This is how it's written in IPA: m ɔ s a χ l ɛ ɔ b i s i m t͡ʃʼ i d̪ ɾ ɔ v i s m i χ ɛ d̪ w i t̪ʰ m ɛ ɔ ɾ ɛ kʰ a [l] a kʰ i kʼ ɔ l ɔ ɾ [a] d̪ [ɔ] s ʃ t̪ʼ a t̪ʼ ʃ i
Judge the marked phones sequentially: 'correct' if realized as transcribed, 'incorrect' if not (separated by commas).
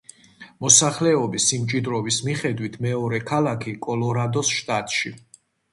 correct, correct, correct